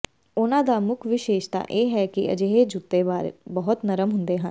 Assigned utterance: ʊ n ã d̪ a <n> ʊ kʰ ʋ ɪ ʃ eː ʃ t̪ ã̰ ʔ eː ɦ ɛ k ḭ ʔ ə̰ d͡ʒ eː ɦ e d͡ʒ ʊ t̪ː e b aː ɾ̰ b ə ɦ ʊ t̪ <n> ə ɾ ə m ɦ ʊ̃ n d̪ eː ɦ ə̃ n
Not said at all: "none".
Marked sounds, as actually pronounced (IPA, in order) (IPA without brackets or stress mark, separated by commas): m, n